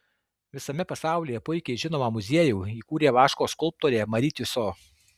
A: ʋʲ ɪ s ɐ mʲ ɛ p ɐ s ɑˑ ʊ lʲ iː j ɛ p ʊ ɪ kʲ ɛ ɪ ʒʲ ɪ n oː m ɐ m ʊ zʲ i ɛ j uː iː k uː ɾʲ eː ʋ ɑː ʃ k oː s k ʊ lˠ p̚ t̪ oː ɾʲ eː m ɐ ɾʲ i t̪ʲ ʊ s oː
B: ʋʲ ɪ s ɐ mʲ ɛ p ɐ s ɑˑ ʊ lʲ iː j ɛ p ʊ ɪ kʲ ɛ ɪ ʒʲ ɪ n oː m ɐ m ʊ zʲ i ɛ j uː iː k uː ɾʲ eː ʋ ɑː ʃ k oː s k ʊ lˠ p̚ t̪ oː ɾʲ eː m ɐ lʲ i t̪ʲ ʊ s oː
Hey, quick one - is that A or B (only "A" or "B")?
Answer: A